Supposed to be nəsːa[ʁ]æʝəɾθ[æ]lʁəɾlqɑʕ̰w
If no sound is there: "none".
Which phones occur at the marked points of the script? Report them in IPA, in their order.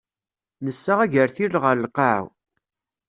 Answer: ʁ, i

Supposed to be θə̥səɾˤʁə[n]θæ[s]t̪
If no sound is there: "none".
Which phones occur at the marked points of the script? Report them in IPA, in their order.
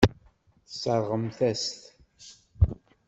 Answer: m, s

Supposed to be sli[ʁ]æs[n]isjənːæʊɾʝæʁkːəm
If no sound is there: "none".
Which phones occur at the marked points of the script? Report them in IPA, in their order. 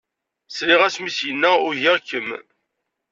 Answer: ʁ, m

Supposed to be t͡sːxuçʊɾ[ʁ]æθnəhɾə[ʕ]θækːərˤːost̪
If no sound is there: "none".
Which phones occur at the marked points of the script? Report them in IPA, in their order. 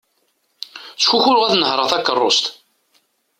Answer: ʁ, ʁ

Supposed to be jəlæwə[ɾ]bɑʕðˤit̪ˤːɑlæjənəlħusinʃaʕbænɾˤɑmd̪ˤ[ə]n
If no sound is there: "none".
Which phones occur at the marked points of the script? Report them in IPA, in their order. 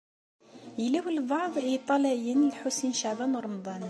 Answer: l, ɑ

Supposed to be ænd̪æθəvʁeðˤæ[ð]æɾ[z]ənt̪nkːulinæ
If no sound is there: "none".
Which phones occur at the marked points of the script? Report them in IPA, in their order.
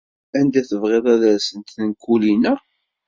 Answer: ð, s

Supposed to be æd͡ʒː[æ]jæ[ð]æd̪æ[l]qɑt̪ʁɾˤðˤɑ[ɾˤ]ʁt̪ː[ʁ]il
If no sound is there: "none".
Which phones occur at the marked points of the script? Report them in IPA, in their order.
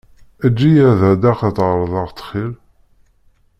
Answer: i, ð, none, none, χ

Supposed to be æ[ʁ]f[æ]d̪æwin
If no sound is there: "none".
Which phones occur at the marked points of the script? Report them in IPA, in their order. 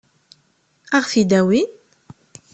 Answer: ʁ, i

